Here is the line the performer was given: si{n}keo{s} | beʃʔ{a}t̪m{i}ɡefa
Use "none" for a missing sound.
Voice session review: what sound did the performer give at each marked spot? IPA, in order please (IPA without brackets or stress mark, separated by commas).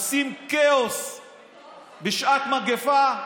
m, s, a, a